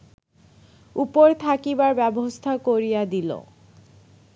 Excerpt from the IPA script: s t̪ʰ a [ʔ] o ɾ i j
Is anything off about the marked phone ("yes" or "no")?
yes